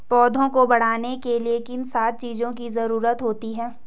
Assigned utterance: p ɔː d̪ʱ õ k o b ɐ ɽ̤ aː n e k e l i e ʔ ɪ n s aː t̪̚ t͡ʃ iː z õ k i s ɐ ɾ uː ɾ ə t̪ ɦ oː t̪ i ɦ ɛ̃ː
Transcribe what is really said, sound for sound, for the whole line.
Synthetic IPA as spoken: p ɔː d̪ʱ õ k o b ɐ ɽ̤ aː n e k e l i e k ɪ n s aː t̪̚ t͡ʃ iː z õ k i z ɐ ɾ uː ɾ ə t̪ ɦ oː t̪ i ɦ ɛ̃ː